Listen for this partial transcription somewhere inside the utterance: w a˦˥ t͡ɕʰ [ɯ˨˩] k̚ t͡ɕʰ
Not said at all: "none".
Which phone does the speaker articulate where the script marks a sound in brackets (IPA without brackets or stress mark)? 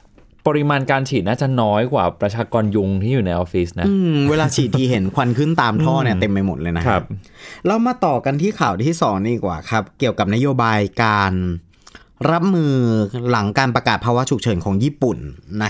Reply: u˨˩